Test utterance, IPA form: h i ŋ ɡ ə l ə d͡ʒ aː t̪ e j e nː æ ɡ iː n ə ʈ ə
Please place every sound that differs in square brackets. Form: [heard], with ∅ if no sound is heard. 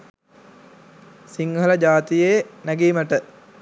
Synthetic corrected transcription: [s] i ŋ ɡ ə l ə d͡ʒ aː t̪ [i] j e [n] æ ɡ iː [m] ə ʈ ə